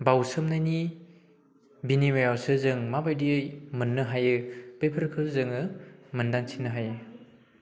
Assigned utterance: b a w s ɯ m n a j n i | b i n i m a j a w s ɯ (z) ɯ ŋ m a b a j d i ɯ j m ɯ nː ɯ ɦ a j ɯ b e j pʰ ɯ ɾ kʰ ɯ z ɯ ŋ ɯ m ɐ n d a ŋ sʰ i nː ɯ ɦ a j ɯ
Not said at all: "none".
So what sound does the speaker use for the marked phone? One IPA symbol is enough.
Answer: z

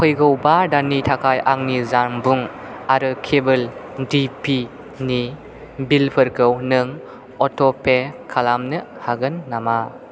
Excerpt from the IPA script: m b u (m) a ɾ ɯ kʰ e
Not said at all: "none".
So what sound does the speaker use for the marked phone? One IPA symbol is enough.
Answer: ŋ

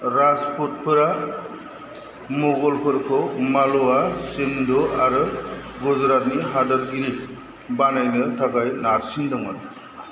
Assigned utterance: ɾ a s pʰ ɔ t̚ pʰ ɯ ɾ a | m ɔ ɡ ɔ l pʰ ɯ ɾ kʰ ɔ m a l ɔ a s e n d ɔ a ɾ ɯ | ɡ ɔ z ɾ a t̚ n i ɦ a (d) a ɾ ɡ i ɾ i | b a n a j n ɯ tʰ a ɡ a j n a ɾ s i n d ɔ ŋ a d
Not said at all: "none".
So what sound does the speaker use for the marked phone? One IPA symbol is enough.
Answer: d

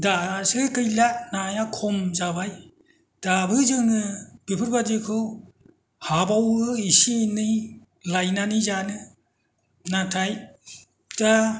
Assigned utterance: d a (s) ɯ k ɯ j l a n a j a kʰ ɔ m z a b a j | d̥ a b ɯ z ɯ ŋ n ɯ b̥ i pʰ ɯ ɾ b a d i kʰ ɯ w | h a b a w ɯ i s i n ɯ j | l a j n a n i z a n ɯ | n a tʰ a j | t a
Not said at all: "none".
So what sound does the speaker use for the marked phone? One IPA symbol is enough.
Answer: s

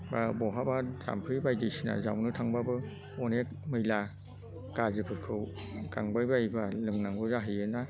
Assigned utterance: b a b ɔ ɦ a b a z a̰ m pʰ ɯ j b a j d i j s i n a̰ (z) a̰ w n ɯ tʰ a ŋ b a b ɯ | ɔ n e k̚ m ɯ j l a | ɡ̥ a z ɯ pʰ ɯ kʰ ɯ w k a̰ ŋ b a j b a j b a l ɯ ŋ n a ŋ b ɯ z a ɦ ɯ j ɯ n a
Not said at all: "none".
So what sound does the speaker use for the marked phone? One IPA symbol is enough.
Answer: z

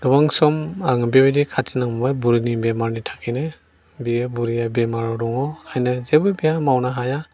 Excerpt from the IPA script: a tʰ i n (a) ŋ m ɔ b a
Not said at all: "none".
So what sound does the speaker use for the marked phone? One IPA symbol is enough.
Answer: a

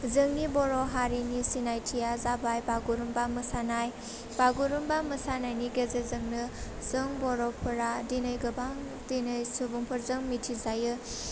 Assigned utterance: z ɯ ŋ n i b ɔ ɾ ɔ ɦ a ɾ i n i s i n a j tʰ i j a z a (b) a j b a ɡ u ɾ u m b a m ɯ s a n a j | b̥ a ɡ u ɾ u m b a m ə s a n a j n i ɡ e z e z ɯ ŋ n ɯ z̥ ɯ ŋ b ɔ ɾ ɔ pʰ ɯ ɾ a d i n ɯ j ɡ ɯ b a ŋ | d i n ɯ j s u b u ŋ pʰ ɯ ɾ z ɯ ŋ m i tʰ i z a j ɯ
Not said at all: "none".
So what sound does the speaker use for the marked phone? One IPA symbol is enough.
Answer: b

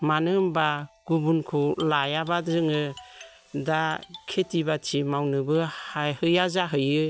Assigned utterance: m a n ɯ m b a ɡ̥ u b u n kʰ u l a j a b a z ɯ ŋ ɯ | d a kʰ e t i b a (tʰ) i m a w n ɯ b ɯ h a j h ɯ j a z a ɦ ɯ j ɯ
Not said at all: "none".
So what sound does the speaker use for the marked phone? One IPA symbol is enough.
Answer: tʰ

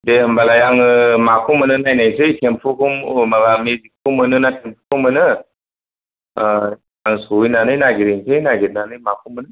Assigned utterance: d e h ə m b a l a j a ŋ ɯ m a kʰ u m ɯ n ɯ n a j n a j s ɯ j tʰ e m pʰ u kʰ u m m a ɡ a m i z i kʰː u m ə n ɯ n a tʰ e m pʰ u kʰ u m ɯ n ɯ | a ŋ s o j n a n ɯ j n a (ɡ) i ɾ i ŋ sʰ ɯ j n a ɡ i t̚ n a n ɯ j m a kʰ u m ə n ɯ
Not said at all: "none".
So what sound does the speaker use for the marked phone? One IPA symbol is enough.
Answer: ɡ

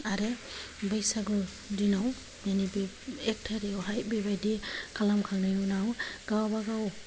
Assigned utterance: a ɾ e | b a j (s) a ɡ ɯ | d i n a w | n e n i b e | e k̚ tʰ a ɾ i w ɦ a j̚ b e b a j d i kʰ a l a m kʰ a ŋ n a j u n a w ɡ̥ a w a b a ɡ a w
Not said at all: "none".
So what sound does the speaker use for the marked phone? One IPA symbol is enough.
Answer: s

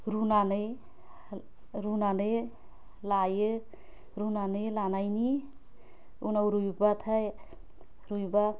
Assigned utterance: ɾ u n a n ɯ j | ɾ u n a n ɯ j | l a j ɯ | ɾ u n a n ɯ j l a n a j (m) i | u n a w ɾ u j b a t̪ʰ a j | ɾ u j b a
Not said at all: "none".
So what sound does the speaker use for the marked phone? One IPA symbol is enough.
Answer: n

